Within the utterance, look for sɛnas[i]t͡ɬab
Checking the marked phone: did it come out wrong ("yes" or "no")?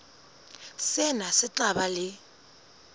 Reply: yes